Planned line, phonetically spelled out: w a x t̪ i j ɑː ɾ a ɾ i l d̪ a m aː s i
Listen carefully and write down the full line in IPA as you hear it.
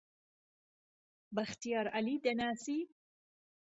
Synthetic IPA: b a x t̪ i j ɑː ɾ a l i d̪ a n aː s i

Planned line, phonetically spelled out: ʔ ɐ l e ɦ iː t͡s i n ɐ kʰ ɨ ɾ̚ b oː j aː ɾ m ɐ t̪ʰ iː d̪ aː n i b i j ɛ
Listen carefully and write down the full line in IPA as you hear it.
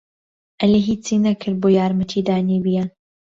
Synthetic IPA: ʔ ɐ l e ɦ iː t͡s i n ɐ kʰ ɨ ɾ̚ b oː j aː ɾ m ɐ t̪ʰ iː d̪ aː n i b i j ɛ

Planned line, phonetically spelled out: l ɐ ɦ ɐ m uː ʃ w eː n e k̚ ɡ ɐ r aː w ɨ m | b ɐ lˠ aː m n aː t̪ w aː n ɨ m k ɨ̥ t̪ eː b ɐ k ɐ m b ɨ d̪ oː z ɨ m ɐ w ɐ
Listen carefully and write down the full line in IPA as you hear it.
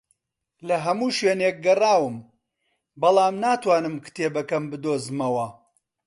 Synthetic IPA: l ɐ ɦ ɐ m uː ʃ w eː n e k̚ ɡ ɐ r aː w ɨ m | b ɐ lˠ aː m n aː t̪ w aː n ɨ m k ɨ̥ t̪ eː b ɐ k ɐ m b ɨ d̪ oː z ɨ m ɐ w ɐ

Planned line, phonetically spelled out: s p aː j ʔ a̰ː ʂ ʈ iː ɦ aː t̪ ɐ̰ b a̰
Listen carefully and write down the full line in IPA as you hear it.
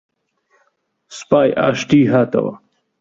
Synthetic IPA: s p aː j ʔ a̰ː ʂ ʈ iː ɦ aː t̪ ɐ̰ w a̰

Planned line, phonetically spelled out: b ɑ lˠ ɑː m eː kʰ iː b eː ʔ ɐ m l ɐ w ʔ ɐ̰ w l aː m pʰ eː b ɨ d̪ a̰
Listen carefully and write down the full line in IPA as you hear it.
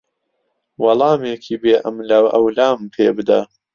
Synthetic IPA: w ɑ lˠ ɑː m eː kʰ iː b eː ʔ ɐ m l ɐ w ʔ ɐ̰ w l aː m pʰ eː b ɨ d̪ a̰

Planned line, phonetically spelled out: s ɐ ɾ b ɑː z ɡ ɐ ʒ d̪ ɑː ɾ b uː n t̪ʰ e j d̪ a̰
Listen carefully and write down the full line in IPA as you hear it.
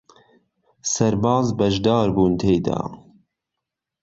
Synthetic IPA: s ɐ ɾ b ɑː z b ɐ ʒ d̪ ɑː ɾ b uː n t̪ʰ e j d̪ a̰

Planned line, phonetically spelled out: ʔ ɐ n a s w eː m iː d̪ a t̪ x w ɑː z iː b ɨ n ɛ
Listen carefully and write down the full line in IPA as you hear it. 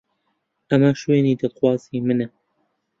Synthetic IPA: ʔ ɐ m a ʃ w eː n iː d̪ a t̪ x w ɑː z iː m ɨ n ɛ

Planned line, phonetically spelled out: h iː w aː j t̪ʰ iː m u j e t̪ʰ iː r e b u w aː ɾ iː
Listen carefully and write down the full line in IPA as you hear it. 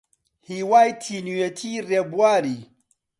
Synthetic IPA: h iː w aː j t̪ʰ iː n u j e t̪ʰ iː r e b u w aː ɾ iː

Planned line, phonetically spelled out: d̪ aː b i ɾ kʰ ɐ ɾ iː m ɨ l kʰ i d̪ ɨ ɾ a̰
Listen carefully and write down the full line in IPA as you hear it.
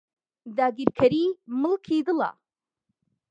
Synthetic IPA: d̪ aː ɡ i ɾ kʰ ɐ ɾ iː m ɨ l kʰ i d̪ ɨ l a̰

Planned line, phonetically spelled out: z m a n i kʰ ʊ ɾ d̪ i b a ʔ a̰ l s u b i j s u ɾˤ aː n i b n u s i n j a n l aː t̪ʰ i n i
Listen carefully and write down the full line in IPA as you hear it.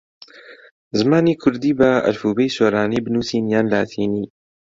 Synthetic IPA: z m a n i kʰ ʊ ɾ d̪ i b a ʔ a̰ l f u b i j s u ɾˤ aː n i b n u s i n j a n l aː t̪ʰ i n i

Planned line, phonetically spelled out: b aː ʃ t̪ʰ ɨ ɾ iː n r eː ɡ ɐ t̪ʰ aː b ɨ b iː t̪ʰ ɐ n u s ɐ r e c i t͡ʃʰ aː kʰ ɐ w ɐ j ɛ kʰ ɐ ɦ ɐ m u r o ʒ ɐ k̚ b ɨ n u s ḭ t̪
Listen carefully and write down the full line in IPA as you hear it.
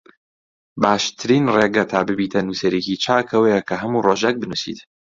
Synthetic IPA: b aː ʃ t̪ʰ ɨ ɾ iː n r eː ɡ ɐ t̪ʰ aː b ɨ b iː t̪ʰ ɐ n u s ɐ ɾ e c i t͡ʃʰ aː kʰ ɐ w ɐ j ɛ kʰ ɐ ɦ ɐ m u r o ʒ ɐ k̚ b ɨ n u s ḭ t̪

